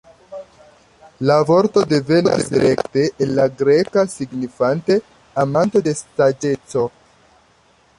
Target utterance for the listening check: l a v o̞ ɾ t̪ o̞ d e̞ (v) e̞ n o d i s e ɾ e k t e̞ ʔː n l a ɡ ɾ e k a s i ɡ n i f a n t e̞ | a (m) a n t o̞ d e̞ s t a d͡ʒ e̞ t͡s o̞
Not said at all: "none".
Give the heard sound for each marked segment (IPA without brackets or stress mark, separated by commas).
v, m